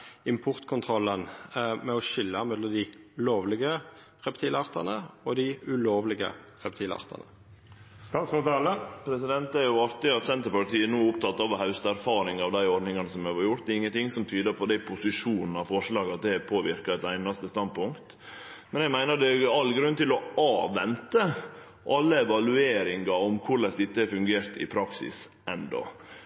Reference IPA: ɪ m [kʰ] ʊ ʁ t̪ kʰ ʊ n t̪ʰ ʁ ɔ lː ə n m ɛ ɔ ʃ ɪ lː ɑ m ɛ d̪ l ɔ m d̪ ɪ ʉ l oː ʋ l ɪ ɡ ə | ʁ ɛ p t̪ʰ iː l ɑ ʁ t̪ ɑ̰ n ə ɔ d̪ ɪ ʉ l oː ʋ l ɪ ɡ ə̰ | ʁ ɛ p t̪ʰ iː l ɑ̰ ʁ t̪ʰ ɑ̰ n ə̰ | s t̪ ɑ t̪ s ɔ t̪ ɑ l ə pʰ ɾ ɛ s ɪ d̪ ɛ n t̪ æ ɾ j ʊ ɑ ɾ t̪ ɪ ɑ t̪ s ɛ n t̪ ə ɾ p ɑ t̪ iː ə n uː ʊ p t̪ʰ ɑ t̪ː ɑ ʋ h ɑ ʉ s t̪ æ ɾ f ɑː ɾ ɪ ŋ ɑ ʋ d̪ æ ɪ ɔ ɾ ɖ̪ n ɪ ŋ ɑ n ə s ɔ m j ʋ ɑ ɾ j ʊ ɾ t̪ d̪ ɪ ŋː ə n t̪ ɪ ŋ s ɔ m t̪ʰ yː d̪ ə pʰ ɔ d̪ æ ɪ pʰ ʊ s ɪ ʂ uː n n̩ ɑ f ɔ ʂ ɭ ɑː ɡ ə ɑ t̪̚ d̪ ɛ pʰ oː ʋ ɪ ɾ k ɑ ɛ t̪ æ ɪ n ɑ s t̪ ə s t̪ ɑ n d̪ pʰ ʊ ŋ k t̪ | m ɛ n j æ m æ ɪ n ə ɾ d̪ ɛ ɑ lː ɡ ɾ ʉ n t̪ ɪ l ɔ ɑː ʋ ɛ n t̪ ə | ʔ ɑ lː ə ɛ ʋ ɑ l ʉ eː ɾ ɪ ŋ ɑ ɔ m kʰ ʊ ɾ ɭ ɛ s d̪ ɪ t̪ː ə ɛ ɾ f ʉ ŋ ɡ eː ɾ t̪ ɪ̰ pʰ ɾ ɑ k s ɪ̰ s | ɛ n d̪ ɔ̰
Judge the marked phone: incorrect: pʰ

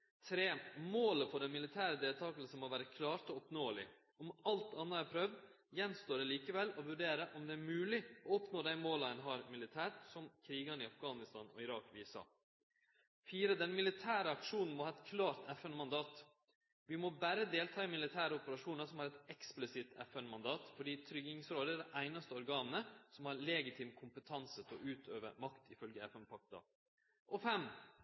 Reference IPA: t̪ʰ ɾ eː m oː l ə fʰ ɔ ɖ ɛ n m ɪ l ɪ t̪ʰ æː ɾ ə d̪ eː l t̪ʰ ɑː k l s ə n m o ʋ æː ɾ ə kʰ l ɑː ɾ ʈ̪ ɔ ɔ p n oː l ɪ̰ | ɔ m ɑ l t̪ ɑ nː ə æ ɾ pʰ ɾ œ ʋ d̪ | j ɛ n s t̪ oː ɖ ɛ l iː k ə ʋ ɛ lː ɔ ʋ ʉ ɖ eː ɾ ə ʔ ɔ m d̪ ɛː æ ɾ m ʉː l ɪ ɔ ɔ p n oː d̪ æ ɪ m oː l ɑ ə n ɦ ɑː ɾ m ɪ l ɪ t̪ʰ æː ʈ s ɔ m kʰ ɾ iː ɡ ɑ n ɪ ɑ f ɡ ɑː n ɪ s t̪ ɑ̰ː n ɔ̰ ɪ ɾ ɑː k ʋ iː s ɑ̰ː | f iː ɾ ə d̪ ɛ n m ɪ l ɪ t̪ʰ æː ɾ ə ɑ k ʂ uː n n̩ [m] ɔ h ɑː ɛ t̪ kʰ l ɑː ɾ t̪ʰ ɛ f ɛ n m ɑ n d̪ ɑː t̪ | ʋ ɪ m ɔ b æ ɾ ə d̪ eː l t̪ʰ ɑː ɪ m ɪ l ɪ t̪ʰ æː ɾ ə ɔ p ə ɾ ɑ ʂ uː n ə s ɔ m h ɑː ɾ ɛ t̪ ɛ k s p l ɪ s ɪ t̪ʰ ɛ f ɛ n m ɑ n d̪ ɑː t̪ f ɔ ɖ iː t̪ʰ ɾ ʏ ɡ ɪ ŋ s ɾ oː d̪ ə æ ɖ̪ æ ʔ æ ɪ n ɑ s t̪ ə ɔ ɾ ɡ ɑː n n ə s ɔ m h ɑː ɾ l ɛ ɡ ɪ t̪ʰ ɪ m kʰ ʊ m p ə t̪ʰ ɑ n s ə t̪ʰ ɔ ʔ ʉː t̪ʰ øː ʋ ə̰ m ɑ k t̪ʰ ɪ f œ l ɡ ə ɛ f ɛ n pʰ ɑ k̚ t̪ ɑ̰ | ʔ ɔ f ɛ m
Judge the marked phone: correct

